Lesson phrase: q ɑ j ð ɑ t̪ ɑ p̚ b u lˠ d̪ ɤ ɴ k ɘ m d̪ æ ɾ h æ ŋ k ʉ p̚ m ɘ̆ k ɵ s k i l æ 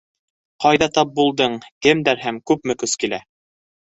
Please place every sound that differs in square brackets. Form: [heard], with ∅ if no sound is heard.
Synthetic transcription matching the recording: q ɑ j ð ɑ t̪ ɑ p̚ b u lˠ d̪ ɤ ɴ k ɘ m d̪ æ ɾ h æ [m] k ʉ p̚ m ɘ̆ k ɵ s k i l æ